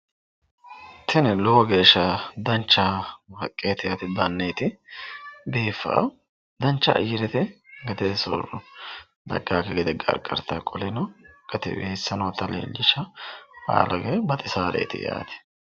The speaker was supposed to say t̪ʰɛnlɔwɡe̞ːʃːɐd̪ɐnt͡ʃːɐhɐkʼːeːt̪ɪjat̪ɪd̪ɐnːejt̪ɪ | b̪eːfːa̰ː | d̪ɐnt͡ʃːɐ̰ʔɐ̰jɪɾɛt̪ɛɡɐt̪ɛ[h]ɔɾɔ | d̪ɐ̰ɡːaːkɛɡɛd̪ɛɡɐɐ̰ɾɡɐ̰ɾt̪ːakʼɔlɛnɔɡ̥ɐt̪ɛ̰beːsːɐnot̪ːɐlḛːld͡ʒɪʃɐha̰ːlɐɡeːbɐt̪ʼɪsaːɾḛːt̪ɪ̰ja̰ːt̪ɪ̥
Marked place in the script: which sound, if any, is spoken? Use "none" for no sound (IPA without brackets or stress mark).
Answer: s